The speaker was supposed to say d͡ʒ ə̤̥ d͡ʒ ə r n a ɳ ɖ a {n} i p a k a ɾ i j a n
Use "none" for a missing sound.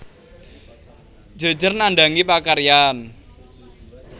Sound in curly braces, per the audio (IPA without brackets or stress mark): ŋ